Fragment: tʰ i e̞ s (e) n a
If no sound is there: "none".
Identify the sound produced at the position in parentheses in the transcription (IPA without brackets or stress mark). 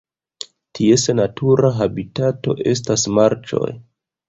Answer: e